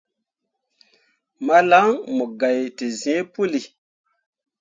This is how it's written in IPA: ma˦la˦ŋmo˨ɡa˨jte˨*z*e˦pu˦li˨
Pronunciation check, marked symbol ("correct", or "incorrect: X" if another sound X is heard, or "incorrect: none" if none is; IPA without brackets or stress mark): correct